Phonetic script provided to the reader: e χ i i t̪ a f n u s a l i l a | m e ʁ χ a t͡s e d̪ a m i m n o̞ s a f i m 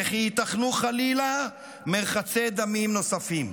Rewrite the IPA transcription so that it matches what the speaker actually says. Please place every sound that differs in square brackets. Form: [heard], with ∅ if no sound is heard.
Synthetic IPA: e χ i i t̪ a [χ] n u [χ] a l i l a | m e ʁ χ a t͡s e d̪ a m i m n o̞ s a f i m